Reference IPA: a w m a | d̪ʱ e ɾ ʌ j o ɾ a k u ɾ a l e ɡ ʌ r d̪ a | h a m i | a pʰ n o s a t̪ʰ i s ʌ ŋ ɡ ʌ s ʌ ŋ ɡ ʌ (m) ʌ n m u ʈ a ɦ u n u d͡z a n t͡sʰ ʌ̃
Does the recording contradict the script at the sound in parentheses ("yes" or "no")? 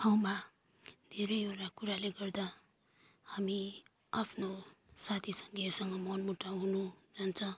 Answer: no